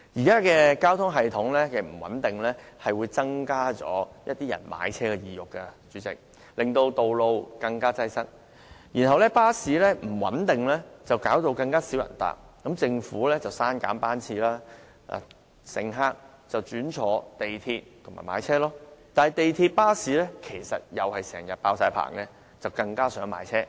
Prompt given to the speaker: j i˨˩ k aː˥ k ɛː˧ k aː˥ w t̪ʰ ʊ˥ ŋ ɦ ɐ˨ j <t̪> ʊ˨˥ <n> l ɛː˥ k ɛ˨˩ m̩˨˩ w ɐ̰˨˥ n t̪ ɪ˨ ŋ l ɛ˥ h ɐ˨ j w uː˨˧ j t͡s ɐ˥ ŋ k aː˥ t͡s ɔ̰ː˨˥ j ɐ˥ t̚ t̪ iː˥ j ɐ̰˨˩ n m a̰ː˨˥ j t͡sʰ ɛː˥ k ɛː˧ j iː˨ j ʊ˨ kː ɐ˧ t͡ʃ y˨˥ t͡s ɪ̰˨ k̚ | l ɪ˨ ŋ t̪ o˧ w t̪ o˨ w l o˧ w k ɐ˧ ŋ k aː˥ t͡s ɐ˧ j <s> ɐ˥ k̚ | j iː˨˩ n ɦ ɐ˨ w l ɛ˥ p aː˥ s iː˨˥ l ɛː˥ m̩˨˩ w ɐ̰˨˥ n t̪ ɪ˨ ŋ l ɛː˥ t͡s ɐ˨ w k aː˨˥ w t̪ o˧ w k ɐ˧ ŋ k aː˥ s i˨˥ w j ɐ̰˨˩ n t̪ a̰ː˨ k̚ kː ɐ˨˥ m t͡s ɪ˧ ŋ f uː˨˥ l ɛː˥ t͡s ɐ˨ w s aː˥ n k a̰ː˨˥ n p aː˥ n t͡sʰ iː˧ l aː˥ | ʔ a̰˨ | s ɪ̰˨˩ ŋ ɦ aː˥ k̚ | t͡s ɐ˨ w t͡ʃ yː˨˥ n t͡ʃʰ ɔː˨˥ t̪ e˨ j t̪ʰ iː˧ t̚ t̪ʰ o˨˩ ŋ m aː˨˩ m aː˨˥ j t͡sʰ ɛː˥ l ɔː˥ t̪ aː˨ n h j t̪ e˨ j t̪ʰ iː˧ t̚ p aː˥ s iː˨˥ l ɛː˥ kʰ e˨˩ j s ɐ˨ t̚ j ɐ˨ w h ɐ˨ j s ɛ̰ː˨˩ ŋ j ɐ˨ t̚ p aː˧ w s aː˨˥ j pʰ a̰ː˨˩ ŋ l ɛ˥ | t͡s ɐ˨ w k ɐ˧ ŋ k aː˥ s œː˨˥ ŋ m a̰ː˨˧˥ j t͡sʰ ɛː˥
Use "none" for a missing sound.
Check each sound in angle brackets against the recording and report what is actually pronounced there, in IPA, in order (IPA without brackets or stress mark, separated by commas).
t̪ʰ, ŋ, s